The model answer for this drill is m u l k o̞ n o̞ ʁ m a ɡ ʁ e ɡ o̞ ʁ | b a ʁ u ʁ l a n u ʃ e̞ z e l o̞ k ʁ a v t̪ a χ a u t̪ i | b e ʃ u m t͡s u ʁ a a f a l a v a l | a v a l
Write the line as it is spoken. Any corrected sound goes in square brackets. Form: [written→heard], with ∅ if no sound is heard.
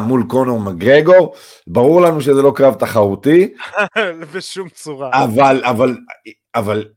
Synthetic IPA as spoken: m u l k o̞ n o̞ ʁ m a ɡ ʁ e ɡ o̞ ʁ | b a ʁ u ʁ l a n u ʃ e̞ z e l o̞ k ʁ a v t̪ a χ a u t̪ i | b e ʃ u m t͡s u ʁ a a [f→v] a l a v a l | a v a l